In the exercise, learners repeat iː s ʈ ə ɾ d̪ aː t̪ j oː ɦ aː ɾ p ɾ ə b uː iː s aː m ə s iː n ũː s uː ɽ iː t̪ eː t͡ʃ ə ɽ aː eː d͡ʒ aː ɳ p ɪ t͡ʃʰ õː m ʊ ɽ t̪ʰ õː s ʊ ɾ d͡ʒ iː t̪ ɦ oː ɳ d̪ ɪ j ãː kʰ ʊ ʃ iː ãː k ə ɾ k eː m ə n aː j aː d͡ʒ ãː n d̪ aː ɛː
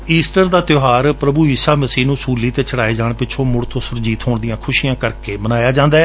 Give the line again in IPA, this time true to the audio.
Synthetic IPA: iː s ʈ ə ɾ d̪ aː t̪ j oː ɦ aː ɾ p ɾ ə b uː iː s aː m ə s iː n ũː s uː l iː t̪ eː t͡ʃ ə ɽ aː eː d͡ʒ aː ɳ p ɪ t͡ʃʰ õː m ʊ ɽ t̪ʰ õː s ʊ ɾ d͡ʒ iː t̪ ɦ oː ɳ d̪ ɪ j ãː kʰ ʊ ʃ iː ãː k ə ɾ k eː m ə n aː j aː d͡ʒ ãː n d̪ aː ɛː